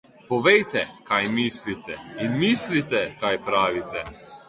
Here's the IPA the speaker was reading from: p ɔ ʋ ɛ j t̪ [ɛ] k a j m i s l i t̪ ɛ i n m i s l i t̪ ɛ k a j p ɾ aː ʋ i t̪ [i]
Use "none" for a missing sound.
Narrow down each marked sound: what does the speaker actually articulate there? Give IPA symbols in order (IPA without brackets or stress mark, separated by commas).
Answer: ɛ, ɛ